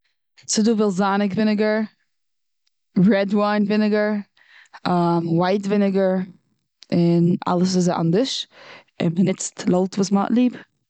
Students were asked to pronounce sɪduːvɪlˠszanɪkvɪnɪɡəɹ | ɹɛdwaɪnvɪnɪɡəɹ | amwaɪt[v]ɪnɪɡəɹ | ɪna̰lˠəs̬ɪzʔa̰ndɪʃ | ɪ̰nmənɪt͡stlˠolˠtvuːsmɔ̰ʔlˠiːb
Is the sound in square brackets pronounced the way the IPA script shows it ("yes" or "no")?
yes